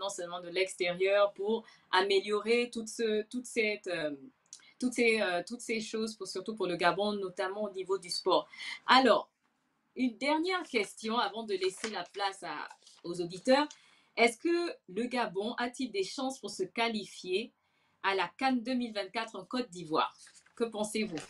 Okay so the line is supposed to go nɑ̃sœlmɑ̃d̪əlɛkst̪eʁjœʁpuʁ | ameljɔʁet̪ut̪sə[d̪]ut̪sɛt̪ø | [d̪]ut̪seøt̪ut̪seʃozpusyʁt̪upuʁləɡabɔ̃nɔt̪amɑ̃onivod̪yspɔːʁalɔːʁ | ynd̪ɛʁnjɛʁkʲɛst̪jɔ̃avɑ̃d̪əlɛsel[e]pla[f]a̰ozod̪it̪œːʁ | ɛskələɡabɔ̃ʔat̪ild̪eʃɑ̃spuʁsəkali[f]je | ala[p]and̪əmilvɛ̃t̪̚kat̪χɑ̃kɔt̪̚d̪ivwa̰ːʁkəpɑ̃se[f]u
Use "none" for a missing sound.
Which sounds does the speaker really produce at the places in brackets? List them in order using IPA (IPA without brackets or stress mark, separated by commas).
t̪, t̪, a, s, f, k, v